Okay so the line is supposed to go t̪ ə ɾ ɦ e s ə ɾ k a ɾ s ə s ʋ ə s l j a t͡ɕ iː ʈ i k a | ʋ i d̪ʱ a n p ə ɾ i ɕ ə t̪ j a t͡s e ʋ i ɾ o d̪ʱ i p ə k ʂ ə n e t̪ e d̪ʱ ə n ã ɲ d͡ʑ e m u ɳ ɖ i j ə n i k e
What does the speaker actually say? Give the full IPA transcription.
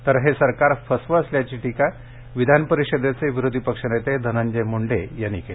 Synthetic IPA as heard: t̪ ə ɾ ɦ e s ə ɾ k a ɾ f ə s ʋ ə s l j a t͡ɕ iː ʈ i k a | ʋ i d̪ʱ a n p ə ɾ i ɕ ə d̪ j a t͡s e ʋ i ɾ o d̪ʱ i p ə k ʂ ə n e t̪ e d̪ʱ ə n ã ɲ d͡ʑ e m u ɳ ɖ e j a n i k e